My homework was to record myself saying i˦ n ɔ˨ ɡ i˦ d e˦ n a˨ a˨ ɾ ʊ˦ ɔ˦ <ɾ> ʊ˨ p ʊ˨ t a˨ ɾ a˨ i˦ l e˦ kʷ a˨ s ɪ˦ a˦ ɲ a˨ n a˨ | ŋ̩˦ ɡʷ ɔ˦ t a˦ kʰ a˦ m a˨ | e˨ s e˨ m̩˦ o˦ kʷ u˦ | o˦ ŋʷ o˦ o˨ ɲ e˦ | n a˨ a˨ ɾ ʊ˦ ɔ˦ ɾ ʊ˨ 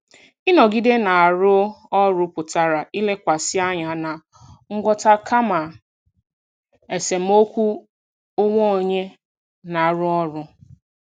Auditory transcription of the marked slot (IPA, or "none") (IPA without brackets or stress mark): ɾ